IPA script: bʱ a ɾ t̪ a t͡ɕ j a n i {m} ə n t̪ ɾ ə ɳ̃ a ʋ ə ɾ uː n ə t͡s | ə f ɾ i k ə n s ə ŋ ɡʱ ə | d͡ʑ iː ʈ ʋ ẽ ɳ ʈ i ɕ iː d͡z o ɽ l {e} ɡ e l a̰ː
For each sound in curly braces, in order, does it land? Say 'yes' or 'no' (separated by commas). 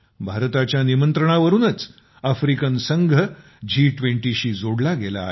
yes, no